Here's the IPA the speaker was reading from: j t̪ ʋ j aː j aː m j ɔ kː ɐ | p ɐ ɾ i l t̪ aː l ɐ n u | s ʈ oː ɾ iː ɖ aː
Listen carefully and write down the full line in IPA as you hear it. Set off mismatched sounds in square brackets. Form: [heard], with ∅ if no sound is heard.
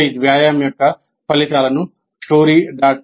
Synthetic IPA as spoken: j [d̪] ʋ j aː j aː m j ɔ kː ɐ | p ɐ [l] i [∅] t̪ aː l ɐ n u | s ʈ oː ɾ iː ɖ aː